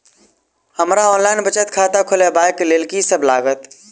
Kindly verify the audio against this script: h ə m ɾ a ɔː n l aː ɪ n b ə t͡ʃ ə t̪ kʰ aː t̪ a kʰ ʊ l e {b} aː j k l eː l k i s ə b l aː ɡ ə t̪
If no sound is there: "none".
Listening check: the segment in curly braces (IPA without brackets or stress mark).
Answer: b